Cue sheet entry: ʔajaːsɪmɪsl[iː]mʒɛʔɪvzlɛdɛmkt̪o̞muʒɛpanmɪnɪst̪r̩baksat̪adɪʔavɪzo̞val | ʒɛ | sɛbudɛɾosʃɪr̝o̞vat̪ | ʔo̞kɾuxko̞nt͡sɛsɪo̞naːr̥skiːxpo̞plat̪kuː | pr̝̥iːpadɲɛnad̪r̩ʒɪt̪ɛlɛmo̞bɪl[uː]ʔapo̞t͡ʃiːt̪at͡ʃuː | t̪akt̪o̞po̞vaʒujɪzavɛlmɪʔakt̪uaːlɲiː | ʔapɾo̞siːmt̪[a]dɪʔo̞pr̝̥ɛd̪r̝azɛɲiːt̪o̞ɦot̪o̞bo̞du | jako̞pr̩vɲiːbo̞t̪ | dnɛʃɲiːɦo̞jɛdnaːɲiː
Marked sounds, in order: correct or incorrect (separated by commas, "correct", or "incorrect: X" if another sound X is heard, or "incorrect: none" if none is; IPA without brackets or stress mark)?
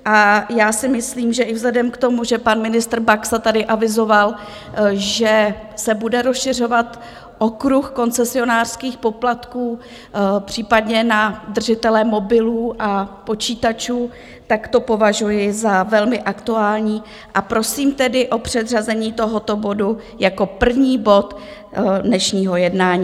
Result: correct, correct, incorrect: ɛ